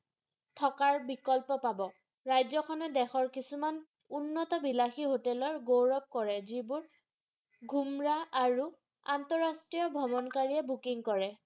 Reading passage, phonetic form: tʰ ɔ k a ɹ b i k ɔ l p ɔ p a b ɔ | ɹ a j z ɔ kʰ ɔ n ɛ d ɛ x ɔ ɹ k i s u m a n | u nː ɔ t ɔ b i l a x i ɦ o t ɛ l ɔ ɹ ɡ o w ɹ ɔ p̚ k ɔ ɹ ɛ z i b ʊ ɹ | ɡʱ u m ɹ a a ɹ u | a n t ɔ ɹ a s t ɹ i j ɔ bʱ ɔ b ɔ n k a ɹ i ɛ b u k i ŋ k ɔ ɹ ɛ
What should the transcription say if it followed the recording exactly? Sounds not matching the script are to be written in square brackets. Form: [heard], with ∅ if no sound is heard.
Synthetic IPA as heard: tʰ ɔ k a ɹ b i k ɔ l p ɔ p a b ɔ | ɹ a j z ɔ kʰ ɔ n ɛ d ɛ x ɔ ɹ k i s u m a n | u nː ɔ t ɔ b i l a x i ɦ o t ɛ l ɔ ɹ ɡ o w ɹ ɔ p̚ k ɔ ɹ ɛ z i b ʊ ɹ | ɡʱ u m ɹ a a ɹ u | a n t ɔ ɹ a s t ɹ i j ɔ bʱ ɔ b ɔ n k a ɹ i ɛ b u k i ŋ k ɔ ɹ ɛ